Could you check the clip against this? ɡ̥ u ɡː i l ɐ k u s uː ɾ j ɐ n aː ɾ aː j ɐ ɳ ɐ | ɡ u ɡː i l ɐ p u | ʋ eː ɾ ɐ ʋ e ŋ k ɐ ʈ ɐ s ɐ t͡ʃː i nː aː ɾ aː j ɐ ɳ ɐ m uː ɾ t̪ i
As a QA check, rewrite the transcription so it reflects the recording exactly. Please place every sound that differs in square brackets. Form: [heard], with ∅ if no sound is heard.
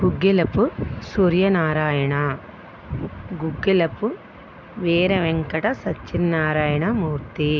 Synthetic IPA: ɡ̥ u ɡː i l ɐ [p] u s uː ɾ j ɐ n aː ɾ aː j ɐ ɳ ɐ | ɡ u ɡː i l ɐ p u | ʋ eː ɾ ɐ ʋ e ŋ k ɐ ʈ ɐ s ɐ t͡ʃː i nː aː ɾ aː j ɐ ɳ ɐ m uː ɾ t̪ i